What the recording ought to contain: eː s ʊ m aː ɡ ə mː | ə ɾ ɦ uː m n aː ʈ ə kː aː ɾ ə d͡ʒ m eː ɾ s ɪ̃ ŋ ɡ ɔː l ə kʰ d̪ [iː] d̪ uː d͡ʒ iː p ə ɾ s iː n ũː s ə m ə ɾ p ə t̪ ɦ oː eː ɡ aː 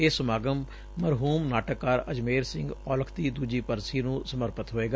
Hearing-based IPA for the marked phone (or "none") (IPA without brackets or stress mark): iː